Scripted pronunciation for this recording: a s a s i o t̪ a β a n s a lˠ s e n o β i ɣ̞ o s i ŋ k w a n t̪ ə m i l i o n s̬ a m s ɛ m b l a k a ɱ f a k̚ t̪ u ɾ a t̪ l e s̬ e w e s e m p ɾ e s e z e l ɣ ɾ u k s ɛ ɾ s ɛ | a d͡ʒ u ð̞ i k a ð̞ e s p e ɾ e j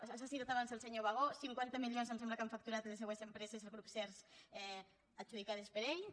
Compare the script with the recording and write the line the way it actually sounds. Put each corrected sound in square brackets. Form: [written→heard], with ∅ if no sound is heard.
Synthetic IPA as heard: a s a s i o t̪ a β a n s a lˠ s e [n→ɲ] o β [i→a] ɣ̞ o s i ŋ k w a n t̪ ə m i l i o n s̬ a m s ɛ m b l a k a ɱ f a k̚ t̪ u ɾ a t̪ l e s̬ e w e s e m p ɾ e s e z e l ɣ ɾ u [k→p] s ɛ ɾ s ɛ | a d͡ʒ u ð̞ i k a ð̞ e s p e ɾ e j